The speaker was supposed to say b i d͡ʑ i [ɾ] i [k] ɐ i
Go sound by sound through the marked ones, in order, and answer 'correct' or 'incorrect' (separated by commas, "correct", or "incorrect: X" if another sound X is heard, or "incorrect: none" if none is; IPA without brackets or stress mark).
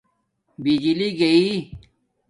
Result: incorrect: l, incorrect: ɡ